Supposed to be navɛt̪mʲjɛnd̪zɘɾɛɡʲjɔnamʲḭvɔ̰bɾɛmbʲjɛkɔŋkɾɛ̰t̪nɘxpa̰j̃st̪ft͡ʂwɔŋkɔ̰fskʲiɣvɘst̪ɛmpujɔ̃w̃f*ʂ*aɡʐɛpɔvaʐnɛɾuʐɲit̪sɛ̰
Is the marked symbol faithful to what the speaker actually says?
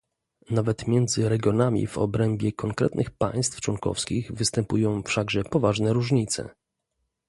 yes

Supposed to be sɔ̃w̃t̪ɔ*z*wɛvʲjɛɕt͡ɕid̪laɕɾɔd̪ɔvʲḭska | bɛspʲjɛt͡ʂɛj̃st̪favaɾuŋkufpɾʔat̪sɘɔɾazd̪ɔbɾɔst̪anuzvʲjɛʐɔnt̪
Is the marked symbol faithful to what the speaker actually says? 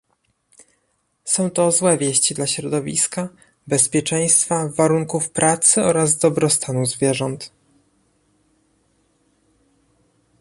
yes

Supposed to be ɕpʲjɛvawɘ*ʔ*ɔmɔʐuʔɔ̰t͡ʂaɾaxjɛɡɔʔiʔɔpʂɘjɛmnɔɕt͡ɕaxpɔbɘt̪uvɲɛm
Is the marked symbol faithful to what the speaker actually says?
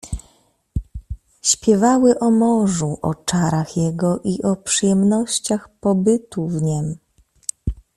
yes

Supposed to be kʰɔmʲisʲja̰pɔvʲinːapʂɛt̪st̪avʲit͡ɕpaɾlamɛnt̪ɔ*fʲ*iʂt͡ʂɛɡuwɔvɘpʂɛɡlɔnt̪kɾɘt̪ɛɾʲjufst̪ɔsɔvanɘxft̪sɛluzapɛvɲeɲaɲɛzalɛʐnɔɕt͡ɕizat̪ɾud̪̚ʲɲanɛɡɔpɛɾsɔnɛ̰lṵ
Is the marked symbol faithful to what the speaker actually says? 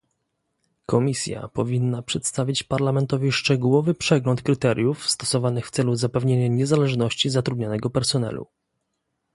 no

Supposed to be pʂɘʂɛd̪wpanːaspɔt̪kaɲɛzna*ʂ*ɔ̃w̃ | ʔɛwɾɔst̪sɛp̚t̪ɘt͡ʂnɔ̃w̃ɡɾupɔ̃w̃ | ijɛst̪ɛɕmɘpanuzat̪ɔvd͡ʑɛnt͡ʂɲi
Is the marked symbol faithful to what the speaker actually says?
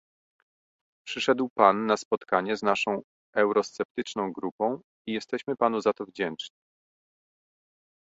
yes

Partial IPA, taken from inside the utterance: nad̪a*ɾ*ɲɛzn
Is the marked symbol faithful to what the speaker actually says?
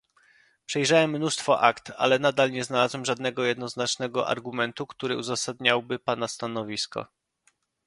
no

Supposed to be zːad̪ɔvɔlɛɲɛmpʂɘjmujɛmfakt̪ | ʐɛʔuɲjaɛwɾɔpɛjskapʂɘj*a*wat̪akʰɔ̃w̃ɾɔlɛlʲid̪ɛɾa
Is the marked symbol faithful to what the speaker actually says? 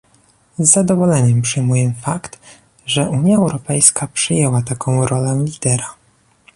no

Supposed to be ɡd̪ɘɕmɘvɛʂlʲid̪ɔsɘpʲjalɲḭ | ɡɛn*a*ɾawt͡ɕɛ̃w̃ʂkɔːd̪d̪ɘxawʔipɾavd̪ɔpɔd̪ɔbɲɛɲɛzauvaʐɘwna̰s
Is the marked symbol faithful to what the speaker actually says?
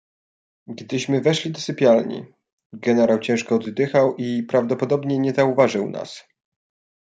no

